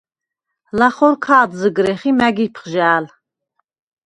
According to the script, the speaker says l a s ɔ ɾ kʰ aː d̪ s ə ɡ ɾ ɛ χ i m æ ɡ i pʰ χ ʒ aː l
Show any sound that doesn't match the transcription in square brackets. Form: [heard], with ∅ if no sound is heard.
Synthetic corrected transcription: l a [χ] ɔ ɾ kʰ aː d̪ [z] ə ɡ ɾ ɛ χ i m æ ɡ i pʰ χ ʒ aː l

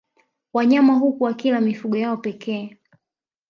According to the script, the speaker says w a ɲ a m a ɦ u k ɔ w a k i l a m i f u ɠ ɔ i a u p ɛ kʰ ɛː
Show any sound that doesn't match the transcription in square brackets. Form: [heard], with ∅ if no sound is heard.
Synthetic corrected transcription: w a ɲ a m a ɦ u k [u] w a k i l a m i f u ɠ ɔ [j] a [ɔ] p ɛ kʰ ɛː

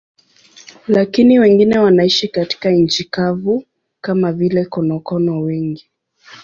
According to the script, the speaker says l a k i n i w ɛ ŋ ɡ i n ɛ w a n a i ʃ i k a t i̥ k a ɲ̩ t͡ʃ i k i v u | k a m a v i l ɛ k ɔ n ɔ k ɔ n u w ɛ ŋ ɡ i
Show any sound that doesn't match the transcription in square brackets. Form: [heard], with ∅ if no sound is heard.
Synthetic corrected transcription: l a k i n i w ɛ ŋ ɡ i n ɛ w a n a i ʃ i k a t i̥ k a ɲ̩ t͡ʃ i k [a] v u | k a m a v i l ɛ k ɔ n ɔ k ɔ n [ɔ] w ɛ ŋ ɡ i

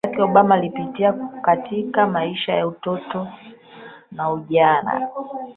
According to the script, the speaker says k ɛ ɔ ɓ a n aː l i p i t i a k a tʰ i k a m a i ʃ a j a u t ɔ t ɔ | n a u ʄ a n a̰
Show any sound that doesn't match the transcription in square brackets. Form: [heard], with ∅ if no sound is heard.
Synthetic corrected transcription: k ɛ ɔ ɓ a [m] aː l i p i t i a k a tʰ i k a m a i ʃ a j a u t ɔ t ɔ | n a u ʄ a n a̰

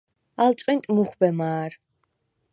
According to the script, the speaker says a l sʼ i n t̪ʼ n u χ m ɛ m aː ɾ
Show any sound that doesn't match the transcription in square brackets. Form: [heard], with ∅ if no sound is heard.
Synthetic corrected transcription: a l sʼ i n t̪ʼ [m] u χ [b] ɛ m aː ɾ

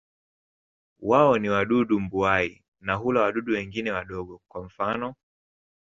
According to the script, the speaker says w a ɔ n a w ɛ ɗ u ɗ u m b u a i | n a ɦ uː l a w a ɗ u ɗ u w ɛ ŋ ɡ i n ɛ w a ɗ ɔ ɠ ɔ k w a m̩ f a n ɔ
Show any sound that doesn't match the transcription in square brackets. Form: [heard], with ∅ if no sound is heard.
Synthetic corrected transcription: w a ɔ n [i] w [a] ɗ u ɗ u m b u a i | n a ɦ [u] l a w a ɗ u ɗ u w ɛ ŋ ɡ i n ɛ w a ɗ ɔ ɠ ɔ k w a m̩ f a n ɔ

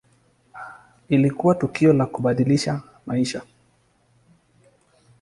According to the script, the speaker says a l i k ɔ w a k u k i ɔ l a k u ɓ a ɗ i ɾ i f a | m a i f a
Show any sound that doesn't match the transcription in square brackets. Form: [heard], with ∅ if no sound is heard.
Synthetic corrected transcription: [i] l i k [u] w a [t] u k i ɔ l a k u ɓ a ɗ i [l] i [ʃ] a | m a i [ʃ] a

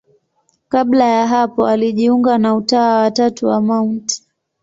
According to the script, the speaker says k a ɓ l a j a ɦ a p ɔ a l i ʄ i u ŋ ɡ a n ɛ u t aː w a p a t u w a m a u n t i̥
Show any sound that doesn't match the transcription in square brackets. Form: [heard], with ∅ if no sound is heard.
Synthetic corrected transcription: k a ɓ l a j a ɦ a p ɔ a l i ʄ i u ŋ ɡ a n [a] u t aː w a [t] a t u w a m a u n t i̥

